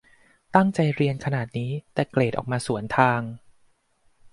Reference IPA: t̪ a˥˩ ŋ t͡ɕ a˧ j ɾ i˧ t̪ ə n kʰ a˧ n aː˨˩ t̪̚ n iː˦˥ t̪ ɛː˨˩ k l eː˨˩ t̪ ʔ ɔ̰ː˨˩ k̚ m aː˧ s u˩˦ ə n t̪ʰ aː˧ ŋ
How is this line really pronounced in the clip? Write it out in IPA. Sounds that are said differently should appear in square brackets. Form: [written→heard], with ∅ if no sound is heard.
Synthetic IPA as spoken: t̪ a˥˩ ŋ t͡ɕ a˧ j ɾ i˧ [t̪→∅] ə n kʰ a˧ n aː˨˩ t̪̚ n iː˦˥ t̪ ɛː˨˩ k l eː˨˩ t̪ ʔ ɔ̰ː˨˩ k̚ m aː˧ s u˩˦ ə n t̪ʰ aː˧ ŋ